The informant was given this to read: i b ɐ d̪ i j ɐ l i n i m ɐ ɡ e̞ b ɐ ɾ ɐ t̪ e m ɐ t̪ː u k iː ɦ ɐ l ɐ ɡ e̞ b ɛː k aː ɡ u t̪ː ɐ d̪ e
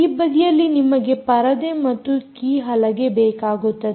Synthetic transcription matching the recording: i b ɐ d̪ i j ɐ lː i n i m ɐ ɡ e̞ p ɐ ɾ ɐ d̪ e m ɐ t̪ː u k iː ɦ ɐ l ɐ ɡ e̞ b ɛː k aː ɡ u t̪ː ɐ d̪ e